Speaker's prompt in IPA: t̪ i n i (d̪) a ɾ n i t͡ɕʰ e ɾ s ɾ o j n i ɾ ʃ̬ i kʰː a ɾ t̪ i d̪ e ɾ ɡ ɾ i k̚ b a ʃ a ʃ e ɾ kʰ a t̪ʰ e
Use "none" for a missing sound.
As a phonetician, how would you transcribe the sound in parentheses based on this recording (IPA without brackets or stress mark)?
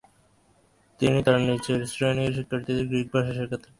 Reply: t̪